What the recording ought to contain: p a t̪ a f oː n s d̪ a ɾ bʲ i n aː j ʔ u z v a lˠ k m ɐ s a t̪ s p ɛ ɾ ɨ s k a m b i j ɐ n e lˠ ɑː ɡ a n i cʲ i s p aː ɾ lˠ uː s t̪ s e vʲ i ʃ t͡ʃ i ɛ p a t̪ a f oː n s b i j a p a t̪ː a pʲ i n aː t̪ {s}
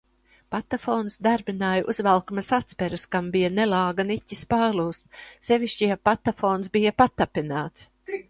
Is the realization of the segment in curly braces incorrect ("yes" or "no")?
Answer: no